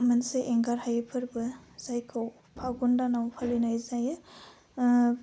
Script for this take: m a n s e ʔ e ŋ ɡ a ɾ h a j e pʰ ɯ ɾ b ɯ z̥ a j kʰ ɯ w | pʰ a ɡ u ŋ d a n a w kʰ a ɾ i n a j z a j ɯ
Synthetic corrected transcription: m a n s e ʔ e ŋ ɡ a ɾ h a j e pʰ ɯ ɾ b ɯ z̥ a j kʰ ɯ w | pʰ a ɡ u n d a n a w pʰ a l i n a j z a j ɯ